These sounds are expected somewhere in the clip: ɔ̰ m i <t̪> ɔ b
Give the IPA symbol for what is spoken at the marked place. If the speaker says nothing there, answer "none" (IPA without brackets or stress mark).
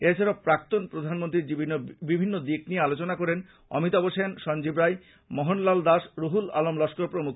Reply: t̪